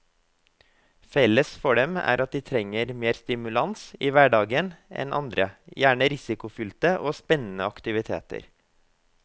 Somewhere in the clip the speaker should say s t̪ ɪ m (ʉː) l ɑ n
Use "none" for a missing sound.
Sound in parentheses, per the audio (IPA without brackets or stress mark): ʉ